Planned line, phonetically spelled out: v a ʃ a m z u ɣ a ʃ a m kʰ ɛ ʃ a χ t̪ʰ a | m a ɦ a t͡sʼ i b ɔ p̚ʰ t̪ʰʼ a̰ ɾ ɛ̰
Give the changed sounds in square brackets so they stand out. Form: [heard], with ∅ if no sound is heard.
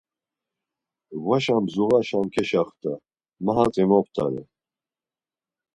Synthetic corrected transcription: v a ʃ a m z u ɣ a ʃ a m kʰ ɛ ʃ a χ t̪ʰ a | m a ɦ a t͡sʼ i [m] ɔ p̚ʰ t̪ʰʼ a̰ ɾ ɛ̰